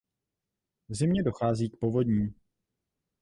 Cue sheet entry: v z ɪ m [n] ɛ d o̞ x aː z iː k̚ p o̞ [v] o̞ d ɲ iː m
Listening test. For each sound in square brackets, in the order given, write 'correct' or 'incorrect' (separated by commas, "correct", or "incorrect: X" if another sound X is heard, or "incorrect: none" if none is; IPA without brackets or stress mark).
incorrect: ɲ, correct